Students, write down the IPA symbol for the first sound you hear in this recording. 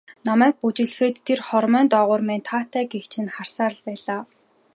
n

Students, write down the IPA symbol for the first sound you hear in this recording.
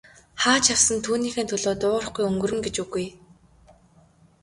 χ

